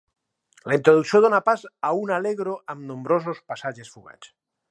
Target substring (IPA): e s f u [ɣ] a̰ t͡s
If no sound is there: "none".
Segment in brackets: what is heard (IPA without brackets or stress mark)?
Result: ɣ